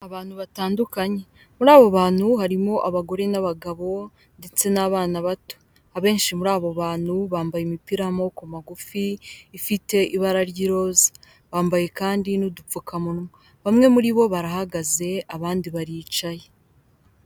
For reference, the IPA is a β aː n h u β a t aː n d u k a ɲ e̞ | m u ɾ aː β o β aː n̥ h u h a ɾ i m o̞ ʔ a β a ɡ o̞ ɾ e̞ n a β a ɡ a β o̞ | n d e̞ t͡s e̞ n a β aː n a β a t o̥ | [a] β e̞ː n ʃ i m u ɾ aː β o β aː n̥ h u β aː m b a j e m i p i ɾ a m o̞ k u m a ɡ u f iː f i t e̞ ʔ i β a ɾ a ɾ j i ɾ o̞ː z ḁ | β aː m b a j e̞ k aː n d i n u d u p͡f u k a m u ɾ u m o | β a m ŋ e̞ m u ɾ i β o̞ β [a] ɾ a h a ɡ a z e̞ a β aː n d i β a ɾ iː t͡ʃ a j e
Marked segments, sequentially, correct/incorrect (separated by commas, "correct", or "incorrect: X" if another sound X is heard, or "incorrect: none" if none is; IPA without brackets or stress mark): correct, correct